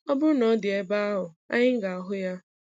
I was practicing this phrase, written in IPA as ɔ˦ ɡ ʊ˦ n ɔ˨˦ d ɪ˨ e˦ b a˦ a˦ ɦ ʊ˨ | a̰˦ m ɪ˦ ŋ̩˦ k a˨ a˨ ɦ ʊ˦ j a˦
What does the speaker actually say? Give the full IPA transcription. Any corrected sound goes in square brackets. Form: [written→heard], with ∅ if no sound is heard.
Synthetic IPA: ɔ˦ [ɡ→b] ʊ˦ n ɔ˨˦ d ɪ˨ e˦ b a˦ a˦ ɦ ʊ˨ | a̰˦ [m→ɲ] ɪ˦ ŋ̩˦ [k→ɡ] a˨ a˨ ɦ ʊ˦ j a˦